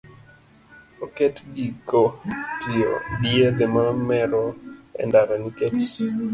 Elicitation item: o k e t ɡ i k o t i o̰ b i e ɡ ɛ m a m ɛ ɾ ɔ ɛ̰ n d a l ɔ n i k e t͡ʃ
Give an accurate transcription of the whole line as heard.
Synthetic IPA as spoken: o k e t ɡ i k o t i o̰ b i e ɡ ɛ m a m ɛ ɾ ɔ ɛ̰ n d a ɾ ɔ n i k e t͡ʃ